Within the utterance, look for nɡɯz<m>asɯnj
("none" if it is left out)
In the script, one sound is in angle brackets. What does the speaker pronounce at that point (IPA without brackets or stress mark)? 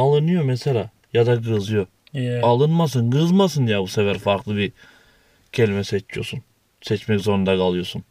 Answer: m